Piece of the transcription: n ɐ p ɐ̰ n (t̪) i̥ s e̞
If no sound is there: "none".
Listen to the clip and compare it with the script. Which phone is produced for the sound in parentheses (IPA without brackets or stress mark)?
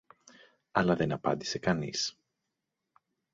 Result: d̪